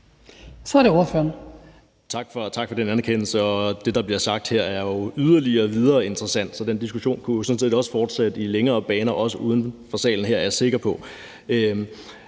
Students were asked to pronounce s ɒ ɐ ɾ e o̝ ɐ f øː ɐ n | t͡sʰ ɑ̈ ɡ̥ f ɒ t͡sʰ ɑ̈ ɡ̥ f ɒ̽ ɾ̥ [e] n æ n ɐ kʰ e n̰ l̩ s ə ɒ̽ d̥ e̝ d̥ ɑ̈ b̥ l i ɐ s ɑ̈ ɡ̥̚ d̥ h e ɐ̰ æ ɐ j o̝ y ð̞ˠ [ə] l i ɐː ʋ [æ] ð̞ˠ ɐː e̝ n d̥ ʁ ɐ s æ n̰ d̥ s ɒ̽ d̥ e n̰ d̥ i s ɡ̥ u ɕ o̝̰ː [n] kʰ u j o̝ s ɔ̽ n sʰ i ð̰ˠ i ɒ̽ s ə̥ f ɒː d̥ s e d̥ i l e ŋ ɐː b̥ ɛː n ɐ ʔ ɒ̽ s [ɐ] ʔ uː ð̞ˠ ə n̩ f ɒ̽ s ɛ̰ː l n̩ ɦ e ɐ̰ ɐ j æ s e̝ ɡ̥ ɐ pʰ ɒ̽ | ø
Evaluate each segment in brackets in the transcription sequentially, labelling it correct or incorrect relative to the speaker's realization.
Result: correct, incorrect, incorrect, correct, incorrect

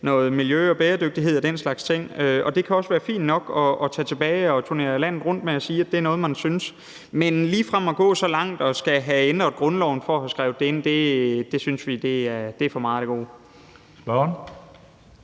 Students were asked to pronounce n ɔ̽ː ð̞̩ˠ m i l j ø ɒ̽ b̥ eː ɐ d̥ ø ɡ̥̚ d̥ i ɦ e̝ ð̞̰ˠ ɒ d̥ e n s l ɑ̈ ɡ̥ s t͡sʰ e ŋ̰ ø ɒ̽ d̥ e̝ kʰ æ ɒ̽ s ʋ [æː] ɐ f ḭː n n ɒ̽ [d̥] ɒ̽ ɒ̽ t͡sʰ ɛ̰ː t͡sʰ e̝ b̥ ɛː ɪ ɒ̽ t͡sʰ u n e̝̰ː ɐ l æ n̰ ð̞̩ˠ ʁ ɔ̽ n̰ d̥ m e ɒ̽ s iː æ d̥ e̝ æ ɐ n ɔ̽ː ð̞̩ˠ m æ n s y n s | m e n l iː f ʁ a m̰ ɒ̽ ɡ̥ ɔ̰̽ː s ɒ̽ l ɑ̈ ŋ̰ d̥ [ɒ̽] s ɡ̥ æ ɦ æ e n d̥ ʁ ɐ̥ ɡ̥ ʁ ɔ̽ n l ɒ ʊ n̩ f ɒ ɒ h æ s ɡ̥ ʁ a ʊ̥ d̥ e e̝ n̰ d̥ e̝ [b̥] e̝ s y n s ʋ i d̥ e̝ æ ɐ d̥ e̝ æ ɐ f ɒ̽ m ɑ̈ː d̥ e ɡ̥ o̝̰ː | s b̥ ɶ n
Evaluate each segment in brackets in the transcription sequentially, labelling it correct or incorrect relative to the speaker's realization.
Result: correct, incorrect, correct, incorrect

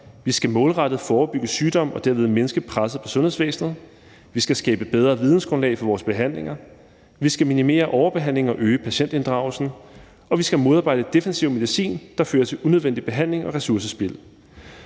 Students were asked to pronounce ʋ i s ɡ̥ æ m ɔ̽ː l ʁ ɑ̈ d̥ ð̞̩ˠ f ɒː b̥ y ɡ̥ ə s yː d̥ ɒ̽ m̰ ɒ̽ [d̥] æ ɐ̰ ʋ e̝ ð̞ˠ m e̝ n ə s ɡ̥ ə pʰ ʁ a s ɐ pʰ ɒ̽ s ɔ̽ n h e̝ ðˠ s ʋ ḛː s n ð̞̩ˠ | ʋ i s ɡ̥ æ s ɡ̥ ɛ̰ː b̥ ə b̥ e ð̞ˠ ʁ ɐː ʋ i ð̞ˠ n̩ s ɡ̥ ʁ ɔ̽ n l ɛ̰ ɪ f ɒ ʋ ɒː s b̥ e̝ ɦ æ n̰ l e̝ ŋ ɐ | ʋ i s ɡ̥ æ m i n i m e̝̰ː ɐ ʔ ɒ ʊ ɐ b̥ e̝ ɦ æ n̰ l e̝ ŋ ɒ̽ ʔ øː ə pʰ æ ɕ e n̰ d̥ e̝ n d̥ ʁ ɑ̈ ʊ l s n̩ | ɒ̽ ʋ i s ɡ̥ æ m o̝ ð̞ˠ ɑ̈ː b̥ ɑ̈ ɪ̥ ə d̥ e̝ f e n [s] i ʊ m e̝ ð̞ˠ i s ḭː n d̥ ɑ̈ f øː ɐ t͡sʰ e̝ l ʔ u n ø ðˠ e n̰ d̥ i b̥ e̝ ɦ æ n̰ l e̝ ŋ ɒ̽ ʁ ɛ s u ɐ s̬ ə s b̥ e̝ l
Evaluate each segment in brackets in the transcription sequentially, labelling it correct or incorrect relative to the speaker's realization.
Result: correct, correct

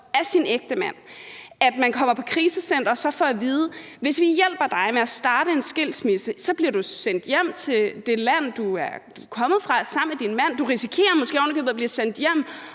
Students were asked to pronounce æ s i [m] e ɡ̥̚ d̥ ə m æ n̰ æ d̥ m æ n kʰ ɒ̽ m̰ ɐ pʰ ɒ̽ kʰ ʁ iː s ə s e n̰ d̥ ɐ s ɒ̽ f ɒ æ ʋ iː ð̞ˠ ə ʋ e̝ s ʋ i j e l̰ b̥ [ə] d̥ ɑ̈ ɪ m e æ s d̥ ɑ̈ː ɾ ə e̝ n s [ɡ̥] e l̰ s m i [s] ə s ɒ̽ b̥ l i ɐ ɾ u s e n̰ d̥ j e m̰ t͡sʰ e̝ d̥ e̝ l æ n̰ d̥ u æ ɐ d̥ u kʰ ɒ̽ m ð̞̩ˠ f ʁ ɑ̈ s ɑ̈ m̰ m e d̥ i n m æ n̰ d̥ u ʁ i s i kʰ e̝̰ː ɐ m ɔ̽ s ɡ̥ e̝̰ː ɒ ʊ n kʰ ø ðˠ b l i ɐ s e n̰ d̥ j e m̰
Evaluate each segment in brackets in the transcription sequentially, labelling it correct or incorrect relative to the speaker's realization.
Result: incorrect, incorrect, correct, correct

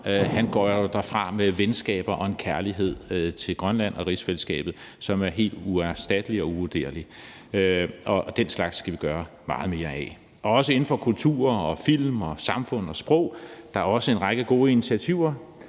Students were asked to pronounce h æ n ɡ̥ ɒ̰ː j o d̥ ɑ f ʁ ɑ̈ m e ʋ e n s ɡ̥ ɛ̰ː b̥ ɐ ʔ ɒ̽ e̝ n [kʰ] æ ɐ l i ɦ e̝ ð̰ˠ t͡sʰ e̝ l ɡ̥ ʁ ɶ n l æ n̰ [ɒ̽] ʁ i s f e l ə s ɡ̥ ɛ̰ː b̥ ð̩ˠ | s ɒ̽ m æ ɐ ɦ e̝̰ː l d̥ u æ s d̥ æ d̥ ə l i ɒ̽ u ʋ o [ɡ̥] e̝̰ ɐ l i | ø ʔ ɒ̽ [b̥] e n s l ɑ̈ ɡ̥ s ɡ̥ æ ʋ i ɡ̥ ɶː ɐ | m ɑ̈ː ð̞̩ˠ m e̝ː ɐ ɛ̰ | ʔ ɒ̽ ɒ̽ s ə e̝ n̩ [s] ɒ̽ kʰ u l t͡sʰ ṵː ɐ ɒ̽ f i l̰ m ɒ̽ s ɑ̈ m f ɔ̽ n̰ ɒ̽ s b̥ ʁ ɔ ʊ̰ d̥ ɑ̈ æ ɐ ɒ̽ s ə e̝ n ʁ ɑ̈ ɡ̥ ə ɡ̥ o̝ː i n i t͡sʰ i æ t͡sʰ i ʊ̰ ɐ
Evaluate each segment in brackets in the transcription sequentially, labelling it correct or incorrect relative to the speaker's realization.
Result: correct, correct, incorrect, incorrect, incorrect

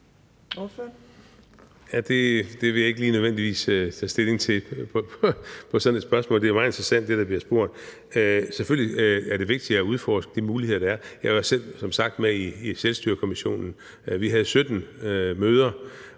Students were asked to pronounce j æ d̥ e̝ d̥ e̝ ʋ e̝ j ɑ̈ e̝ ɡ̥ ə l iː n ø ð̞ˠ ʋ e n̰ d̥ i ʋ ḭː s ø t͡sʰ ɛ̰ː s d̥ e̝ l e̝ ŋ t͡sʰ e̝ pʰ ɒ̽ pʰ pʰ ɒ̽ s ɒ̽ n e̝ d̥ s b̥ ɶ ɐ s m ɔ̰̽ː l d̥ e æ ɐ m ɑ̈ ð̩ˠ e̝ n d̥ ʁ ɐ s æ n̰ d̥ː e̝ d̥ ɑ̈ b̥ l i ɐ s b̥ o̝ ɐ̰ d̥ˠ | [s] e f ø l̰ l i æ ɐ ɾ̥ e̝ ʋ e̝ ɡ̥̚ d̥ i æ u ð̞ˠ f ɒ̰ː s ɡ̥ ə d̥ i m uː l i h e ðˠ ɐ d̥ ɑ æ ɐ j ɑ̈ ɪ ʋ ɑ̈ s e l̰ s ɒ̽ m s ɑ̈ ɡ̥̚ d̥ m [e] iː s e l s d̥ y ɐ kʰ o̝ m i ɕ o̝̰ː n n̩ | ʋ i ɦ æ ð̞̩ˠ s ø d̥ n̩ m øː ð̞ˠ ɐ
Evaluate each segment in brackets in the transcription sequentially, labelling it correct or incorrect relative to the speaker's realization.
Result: correct, correct

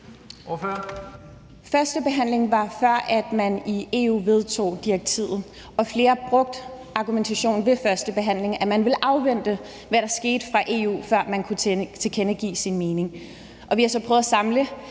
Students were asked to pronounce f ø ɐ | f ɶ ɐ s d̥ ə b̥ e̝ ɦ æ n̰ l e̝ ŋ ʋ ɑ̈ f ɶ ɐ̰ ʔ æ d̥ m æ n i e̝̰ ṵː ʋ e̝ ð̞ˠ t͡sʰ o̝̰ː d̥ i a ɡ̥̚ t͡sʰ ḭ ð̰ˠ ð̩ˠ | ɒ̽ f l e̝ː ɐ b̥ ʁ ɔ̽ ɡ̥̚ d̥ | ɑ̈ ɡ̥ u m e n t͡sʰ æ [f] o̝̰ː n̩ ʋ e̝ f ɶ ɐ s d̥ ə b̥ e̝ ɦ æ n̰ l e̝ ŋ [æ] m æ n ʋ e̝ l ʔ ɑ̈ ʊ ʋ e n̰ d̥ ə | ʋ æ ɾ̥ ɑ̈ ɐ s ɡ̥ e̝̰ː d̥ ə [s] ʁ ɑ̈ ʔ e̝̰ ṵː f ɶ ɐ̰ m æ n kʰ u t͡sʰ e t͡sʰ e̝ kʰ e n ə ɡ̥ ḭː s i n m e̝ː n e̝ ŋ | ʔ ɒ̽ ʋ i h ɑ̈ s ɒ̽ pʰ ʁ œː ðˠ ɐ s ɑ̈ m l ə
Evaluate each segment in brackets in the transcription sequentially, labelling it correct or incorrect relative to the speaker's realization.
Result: incorrect, correct, incorrect

